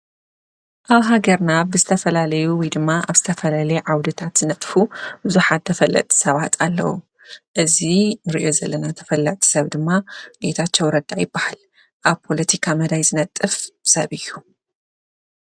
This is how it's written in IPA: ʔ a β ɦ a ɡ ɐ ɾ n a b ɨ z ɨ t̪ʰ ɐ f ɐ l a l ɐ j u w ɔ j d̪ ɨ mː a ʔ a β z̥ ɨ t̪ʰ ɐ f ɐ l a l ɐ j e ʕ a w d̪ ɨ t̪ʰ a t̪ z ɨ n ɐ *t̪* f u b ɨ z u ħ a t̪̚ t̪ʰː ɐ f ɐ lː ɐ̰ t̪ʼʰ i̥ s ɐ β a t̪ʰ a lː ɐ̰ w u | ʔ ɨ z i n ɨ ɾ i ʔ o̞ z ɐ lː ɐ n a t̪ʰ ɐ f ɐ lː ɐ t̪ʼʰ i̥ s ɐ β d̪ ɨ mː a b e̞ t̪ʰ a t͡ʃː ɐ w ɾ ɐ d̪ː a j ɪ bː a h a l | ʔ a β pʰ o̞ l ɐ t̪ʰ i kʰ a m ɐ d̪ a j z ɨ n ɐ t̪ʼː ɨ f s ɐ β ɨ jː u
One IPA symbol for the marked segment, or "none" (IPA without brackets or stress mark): t̪ʼ